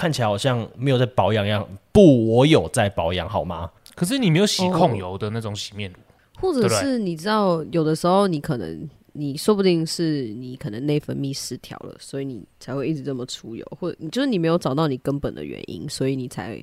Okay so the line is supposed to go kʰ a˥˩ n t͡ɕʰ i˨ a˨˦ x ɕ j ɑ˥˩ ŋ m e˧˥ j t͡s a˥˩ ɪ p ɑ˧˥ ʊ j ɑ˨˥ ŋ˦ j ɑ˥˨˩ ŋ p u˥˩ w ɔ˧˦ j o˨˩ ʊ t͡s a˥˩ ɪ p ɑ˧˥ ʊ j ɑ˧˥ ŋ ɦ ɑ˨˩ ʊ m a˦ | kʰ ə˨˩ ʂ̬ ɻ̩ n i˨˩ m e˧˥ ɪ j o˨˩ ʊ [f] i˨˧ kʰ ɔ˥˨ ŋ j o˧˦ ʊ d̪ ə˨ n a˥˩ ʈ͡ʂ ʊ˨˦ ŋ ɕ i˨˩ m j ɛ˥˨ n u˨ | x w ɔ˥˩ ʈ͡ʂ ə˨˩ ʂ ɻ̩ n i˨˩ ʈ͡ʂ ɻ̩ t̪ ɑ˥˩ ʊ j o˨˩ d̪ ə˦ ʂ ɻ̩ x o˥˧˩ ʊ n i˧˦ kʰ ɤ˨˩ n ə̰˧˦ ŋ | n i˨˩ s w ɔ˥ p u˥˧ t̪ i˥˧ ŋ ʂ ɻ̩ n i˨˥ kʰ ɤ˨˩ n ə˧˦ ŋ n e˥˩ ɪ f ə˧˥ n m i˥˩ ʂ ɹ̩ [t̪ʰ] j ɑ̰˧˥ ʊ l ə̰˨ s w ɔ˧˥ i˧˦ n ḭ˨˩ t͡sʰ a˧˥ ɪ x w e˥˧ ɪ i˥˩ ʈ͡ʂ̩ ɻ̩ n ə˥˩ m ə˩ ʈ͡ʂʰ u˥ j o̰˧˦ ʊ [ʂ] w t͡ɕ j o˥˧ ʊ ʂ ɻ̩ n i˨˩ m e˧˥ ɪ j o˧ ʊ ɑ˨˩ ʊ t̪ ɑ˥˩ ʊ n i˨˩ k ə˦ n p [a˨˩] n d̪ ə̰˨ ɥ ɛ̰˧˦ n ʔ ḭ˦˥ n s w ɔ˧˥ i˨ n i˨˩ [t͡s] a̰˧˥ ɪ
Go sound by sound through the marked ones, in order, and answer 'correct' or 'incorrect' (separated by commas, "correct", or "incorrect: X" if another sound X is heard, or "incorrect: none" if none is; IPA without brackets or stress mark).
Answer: incorrect: ɕ, correct, incorrect: x, incorrect: ə˨˩, incorrect: t͡sʰ